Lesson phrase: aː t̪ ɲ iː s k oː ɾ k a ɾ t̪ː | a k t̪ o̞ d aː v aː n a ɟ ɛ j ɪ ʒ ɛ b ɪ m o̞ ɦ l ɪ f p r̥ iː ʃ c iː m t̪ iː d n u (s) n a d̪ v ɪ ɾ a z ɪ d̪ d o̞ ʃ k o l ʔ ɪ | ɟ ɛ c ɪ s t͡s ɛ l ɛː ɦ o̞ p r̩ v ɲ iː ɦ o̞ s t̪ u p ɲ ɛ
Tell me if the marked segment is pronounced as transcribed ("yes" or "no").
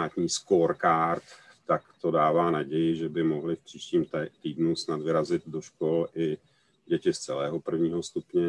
yes